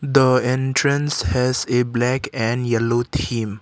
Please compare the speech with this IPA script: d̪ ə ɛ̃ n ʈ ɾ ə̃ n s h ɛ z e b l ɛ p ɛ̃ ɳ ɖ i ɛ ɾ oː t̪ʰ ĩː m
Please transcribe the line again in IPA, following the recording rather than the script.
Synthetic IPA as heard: d̪ ə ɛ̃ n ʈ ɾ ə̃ n s h ɛ z e b l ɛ k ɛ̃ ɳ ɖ j ɛ l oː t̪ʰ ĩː m